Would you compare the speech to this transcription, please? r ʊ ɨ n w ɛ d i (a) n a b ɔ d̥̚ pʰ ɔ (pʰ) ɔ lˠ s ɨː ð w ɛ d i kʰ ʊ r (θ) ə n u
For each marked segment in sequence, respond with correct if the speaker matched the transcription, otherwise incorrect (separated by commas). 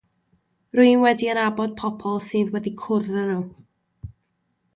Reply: incorrect, correct, incorrect